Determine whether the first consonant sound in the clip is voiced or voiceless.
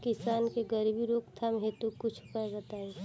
voiceless